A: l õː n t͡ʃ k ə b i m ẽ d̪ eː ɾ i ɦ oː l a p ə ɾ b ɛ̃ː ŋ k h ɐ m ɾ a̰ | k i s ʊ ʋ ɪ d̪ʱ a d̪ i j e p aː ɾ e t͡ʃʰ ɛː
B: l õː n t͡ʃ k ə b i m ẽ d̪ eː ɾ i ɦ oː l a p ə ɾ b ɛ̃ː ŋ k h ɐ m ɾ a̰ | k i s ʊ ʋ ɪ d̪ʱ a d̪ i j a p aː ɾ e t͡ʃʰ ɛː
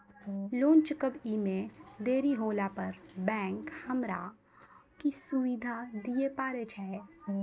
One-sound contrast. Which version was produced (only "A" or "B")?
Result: A